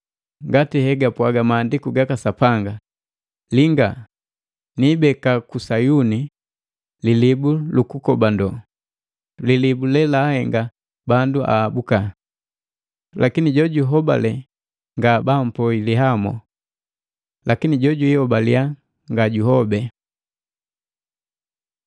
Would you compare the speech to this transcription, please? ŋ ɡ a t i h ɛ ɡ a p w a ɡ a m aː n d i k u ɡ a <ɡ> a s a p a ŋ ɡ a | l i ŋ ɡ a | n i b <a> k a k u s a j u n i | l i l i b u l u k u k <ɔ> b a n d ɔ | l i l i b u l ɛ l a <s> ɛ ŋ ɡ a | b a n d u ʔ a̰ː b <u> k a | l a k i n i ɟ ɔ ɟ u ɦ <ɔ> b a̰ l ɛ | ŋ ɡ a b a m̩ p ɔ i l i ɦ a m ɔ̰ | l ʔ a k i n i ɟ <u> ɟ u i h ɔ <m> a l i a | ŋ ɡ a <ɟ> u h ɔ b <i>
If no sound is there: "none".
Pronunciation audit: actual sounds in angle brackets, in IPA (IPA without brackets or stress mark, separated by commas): k, ɛ, ɔ, h, u, ɔ, ɔ, b, ɟ, ɛ